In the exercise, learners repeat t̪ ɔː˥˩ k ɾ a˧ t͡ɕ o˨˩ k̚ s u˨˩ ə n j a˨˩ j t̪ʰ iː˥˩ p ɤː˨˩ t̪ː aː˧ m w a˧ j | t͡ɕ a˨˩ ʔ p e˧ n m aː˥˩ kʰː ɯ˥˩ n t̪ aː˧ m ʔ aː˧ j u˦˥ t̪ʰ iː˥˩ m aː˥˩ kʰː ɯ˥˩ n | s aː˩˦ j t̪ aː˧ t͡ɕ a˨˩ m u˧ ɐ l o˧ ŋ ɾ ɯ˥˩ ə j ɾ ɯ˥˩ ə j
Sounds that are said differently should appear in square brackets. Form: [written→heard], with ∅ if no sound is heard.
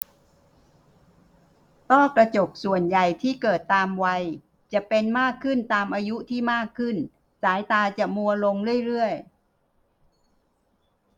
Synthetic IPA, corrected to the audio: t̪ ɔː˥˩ k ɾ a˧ t͡ɕ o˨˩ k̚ s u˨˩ ə n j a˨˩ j t̪ʰ iː˥˩ [p→k] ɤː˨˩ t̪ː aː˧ m w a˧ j | t͡ɕ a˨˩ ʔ p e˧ n m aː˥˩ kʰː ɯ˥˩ n t̪ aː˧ m ʔ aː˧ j u˦˥ t̪ʰ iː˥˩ m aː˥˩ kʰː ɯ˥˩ n | s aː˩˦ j t̪ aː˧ t͡ɕ a˨˩ m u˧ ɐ l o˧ ŋ ɾ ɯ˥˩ ə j ɾ ɯ˥˩ ə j